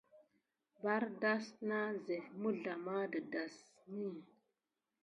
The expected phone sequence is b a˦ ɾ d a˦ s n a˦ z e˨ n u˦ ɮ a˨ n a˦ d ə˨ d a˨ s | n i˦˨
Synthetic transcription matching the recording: b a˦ ɾ d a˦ s n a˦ z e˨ m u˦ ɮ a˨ m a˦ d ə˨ d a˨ s | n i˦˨

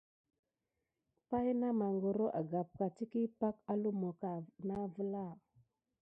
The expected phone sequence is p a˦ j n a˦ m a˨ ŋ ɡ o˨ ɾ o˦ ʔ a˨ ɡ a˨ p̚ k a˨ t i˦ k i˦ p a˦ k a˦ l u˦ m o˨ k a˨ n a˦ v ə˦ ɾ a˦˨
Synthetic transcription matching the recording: p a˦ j n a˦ m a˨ ŋ ɡ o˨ ɾ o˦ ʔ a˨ ɡ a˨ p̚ k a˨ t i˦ k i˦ p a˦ k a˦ l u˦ m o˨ k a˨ n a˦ v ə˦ l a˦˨

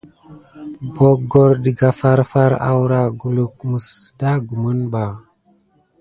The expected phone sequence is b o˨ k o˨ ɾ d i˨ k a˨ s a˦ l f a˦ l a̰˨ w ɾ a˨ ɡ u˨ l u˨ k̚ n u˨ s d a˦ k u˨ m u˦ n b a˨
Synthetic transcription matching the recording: b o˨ ɡ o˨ ɾ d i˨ ɡ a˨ f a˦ ɾ f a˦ ɾ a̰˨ w ɾ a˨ ɡ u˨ l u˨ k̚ m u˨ s d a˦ ɡ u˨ m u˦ n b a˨

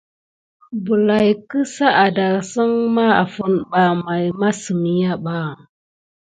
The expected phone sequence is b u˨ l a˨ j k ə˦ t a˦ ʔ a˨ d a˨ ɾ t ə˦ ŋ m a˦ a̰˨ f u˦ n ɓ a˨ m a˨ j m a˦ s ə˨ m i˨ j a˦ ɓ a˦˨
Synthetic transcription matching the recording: b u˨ l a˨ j k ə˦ s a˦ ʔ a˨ d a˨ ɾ s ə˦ ŋ m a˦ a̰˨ f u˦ n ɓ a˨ m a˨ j m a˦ s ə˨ m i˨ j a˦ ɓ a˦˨

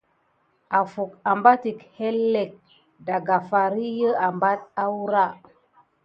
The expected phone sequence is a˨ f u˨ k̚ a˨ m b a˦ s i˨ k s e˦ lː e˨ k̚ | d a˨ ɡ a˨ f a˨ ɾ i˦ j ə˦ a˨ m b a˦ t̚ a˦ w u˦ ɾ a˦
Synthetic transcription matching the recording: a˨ f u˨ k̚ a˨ m b a˦ t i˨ k h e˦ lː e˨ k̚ | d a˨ ɡ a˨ f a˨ ɾ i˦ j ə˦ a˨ m b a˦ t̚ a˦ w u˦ ɾ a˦

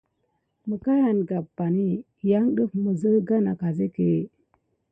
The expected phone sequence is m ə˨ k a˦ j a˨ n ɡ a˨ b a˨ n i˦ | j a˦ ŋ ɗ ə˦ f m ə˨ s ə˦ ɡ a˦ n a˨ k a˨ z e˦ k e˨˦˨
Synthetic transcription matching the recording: m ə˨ k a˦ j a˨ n ɡ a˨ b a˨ n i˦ | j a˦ ŋ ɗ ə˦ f m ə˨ z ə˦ ɡ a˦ n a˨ k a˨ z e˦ k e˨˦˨

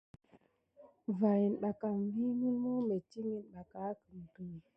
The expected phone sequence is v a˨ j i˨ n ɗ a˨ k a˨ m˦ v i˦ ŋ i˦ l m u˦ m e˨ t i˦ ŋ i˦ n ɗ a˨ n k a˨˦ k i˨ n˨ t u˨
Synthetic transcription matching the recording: v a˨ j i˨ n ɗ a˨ k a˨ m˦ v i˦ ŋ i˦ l m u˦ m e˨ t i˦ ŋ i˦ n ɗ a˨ k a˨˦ k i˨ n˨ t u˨

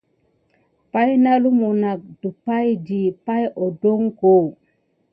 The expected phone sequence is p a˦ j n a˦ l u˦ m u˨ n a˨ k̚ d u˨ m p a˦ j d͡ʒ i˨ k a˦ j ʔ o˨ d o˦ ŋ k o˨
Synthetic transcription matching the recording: p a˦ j n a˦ l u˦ m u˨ n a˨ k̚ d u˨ p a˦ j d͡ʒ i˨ p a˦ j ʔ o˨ d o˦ ŋ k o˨

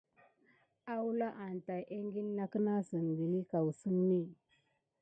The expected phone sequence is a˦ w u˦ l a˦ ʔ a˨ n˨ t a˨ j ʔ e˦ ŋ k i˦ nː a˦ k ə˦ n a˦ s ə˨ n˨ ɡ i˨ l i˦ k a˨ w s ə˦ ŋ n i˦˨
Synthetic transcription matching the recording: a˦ w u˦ l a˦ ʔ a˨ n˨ t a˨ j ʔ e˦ ŋ ɡ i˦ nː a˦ k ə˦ n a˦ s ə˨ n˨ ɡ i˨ l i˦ k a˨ w s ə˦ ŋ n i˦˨

